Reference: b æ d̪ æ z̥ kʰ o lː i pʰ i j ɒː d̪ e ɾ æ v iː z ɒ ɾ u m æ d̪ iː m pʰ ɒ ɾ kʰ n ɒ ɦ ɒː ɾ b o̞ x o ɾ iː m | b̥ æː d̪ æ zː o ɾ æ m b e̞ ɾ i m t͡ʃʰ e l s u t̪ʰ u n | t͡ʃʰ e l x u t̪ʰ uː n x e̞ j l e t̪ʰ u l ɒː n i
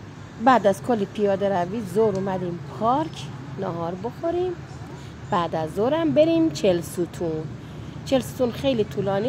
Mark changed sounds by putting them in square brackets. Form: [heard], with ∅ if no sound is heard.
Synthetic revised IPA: b æ d̪ æ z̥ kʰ o lː i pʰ i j ɒː d̪ e ɾ æ v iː z [o] ɾ u m æ d̪ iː m pʰ ɒ ɾ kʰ n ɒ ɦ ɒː ɾ b o̞ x o ɾ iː m | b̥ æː d̪ æ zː o ɾ æ m b e̞ ɾ i m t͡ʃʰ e l s u t̪ʰ u n | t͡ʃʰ e l [s] u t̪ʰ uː n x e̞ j l [i] t̪ʰ u l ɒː n i